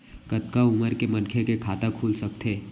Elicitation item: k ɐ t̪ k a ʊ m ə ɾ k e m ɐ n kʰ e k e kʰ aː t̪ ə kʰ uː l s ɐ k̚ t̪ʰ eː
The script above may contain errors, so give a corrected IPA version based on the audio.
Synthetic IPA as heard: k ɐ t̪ k a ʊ m ə ɾ k e m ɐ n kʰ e k e kʰ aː t̪ a kʰ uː l s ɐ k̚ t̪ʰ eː